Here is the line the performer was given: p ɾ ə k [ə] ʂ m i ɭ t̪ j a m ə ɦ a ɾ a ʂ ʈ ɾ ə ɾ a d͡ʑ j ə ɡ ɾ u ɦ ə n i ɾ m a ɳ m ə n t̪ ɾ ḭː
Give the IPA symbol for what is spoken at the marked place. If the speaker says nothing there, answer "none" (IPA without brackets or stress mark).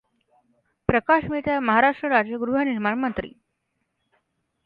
a